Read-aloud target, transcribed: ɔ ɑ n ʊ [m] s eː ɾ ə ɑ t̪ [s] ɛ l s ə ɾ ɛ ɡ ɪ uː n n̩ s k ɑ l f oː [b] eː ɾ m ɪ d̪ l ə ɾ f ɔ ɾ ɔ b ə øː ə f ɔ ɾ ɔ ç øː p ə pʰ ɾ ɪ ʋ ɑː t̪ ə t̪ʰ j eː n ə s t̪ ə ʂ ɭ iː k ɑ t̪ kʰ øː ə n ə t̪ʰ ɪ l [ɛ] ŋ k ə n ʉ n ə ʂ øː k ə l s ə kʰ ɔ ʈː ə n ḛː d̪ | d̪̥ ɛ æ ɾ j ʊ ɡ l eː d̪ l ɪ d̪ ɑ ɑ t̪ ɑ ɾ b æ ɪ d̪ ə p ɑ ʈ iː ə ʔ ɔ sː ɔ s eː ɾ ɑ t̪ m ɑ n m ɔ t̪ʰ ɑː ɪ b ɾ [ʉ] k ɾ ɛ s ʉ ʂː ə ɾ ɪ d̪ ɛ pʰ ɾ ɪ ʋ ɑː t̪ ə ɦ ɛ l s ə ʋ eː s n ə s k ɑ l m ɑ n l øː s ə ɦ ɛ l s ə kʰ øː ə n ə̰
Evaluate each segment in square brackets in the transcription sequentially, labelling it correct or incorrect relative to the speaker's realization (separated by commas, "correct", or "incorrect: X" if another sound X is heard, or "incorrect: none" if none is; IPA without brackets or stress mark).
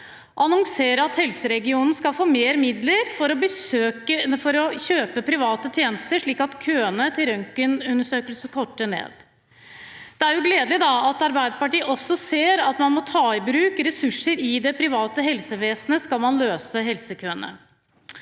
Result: incorrect: ŋ, incorrect: h, incorrect: m, incorrect: œ, incorrect: ʉː